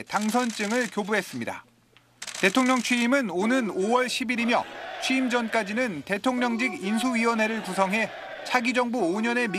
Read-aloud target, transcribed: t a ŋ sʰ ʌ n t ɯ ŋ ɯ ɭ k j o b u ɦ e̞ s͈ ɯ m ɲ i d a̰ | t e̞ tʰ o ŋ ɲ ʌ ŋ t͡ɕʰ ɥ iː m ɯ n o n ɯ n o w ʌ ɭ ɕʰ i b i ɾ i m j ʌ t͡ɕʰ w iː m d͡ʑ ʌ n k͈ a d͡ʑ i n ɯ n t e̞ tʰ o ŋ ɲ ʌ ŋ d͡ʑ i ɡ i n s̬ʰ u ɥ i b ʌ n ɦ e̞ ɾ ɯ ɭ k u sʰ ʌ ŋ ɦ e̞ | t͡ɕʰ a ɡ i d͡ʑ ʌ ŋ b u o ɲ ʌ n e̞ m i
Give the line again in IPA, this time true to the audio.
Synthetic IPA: t a ŋ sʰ ʌ n t͡ɕ͈ ɯ ŋ ɯ ɭ k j o b u ɦ e̞ s͈ ɯ m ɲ i d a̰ | t e̞ tʰ o ŋ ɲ ʌ ŋ t͡ɕʰ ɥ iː m ɯ n o n ɯ n o w ʌ ɭ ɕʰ i b i ɾ i m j ʌ t͡ɕʰ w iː m d͡ʑ ʌ n k͈ a d͡ʑ i n ɯ n t e̞ tʰ o ŋ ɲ ʌ ŋ d͡ʑ i ɡ i n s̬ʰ u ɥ i w ʌ n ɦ e̞ ɾ ɯ ɭ k u sʰ ʌ ŋ ɦ e̞ | t͡ɕʰ a ɡ i d͡ʑ ʌ ŋ b u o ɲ ʌ n e̞ m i